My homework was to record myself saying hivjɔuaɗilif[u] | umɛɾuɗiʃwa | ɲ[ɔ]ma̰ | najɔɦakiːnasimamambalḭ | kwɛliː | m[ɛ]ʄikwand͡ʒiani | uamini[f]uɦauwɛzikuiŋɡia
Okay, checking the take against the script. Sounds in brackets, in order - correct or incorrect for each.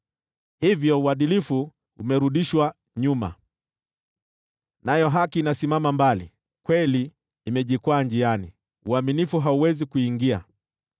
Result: correct, incorrect: u, correct, correct

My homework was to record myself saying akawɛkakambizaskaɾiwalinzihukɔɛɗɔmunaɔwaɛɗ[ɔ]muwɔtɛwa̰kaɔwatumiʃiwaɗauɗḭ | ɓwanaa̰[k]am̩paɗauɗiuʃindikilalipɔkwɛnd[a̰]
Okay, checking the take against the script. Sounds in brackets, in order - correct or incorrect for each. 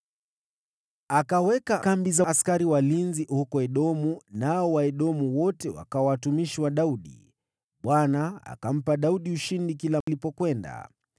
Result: correct, correct, correct

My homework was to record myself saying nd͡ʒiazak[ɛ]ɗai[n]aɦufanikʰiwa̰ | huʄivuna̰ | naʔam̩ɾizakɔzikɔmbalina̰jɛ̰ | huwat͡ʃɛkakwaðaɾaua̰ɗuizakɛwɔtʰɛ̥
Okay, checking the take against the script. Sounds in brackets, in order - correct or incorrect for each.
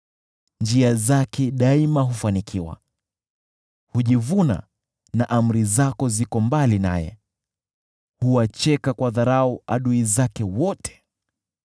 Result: correct, incorrect: m

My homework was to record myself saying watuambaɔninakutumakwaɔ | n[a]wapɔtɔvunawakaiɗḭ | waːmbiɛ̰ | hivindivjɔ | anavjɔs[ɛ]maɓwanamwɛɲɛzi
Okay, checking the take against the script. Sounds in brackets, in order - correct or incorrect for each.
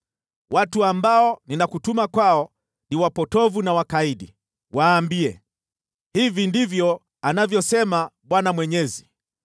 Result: incorrect: i, correct

